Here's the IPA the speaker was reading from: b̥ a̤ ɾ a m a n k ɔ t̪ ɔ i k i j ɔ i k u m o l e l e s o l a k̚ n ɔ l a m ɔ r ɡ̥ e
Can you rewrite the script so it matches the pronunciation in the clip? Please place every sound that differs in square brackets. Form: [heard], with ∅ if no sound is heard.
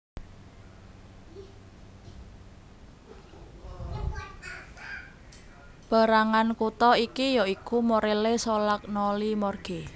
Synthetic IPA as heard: b̥ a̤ ɾ a [ŋ] a n k [u] t̪ ɔ i k i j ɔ i k u m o [ɾ] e l e s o l a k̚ n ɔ l [i] m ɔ r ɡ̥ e